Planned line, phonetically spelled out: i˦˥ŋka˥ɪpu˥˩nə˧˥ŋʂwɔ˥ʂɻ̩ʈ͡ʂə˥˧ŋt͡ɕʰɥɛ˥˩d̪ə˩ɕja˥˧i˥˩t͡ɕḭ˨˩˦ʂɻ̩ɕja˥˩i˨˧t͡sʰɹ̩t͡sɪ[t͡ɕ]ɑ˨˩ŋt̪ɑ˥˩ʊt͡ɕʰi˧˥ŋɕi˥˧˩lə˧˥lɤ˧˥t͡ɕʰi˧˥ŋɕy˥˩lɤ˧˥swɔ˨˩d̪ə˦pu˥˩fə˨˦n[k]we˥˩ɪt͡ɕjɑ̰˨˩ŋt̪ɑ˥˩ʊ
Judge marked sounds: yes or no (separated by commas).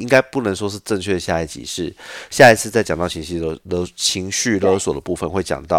yes, no